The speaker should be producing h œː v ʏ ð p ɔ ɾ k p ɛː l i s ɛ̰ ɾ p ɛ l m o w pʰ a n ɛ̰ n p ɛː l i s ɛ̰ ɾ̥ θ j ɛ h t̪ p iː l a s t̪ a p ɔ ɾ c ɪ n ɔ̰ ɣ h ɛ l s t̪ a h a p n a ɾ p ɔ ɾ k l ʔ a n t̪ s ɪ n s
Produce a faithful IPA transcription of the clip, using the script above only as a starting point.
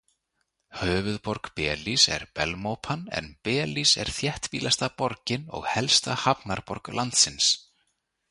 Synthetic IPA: h œː v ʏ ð p ɔ ɾ k p ɛː l i s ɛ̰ ɾ p ɛ l m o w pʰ a n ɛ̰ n p ɛː l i s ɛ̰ ɾ̥ θ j ɛ h t̪ p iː l a s t̪ a p ɔ ɾ c ɪ n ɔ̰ ɣ h ɛ l s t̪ a h a p n a ɾ p ɔ ɾ k l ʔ a n t̪ s ɪ n s